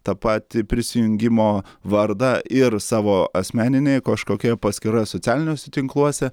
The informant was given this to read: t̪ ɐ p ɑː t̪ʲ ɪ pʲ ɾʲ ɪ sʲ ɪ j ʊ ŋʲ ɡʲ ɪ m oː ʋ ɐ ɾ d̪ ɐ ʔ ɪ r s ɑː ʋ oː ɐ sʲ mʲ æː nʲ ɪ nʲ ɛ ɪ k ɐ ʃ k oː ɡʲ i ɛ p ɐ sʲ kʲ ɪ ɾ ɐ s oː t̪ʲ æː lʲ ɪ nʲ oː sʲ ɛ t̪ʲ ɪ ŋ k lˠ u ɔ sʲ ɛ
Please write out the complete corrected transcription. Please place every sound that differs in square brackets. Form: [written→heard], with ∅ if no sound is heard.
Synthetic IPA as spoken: t̪ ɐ p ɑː t̪ʲ ɪ pʲ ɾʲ ɪ sʲ ɪ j ʊ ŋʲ ɡʲ ɪ m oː ʋ ɐ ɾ d̪ ɐ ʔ ɪ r s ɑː ʋ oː ɐ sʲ mʲ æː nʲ ɪ nʲ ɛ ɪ k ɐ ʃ k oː [ɡʲ→kʲ] i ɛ p ɐ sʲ kʲ ɪ ɾ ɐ s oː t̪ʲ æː lʲ ɪ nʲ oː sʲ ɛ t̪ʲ ɪ ŋ k lˠ u ɔ sʲ ɛ